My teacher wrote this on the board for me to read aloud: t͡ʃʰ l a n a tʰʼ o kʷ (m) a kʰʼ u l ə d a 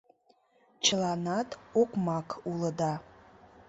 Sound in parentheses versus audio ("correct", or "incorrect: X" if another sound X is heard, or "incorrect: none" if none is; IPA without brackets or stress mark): correct